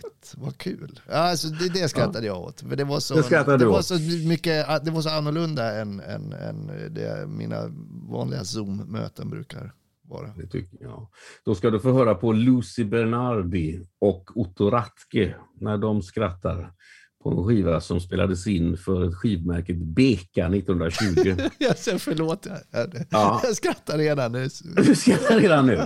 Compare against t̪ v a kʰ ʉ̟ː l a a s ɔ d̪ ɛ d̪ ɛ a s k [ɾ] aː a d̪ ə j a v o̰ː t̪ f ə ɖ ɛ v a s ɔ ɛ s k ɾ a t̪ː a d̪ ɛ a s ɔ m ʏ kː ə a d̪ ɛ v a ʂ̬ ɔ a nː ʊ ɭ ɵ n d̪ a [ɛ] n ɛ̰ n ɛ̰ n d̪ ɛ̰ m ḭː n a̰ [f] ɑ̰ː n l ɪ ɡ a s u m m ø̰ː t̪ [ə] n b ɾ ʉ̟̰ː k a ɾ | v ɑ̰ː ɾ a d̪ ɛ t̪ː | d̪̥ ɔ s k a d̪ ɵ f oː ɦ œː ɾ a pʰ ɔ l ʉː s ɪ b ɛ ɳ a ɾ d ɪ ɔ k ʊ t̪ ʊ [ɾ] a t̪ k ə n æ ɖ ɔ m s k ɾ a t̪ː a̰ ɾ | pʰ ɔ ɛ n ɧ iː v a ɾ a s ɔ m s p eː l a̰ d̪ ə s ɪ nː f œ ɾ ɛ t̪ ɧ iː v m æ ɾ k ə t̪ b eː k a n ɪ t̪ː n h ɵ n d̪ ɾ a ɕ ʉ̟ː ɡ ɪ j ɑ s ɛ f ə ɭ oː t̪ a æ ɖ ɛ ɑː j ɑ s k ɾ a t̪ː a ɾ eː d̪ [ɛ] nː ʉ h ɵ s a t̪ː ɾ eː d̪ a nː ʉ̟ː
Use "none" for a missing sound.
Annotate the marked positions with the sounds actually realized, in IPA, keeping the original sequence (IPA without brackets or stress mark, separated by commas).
ɾ, ɛ, v, ə, ɾ, a